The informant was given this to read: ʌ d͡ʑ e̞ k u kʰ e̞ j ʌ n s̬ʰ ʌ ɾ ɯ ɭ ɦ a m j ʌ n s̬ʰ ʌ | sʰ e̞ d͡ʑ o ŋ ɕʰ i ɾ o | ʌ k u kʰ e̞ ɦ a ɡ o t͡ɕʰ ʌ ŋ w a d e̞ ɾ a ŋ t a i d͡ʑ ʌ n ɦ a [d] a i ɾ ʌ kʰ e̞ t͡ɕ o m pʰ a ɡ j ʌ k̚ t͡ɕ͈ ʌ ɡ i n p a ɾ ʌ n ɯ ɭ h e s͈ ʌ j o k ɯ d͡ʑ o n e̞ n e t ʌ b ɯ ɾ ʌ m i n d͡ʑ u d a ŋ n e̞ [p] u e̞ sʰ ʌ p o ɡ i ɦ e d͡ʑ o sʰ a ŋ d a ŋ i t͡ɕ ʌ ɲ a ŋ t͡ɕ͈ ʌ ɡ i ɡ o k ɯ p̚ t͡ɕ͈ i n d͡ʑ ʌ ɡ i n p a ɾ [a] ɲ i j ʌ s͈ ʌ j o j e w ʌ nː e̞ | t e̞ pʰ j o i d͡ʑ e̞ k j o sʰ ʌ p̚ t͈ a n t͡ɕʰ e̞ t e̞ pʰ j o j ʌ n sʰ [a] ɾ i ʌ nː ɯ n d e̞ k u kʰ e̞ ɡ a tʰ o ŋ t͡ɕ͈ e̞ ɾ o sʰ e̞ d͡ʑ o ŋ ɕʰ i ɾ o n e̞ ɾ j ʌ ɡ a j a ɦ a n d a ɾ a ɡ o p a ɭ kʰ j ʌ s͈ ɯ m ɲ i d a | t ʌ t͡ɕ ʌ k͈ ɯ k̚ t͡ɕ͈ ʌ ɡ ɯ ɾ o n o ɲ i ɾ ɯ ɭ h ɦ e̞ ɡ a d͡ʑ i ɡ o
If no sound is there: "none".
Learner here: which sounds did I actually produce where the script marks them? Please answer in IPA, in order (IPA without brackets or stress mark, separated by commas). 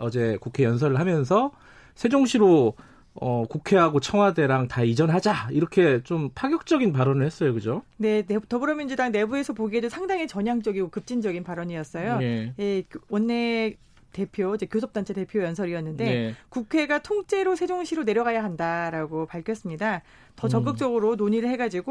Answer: d͡ʑ, b, ʌ, ʌ